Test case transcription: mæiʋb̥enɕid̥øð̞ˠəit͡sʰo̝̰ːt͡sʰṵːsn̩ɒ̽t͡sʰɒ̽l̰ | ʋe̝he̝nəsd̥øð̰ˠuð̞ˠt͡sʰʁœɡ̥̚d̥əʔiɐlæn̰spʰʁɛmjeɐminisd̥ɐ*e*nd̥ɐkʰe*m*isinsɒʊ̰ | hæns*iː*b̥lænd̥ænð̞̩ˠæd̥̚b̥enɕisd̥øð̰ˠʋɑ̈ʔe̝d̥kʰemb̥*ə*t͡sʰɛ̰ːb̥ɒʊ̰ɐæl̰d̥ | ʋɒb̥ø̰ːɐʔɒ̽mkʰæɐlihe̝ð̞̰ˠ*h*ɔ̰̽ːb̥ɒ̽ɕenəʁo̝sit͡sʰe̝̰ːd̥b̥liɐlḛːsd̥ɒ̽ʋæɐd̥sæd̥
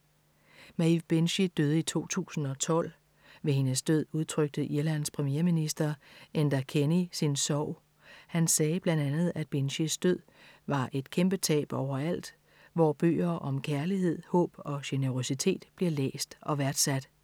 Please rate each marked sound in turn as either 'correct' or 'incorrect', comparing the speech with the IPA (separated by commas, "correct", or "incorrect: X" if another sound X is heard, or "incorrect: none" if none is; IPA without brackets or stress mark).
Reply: correct, incorrect: n, incorrect: ɛː, correct, correct